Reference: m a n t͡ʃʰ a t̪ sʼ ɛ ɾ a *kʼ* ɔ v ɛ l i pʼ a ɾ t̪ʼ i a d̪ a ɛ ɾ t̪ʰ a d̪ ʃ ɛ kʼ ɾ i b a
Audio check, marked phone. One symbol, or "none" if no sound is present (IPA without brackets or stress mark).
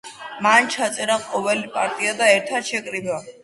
qʼ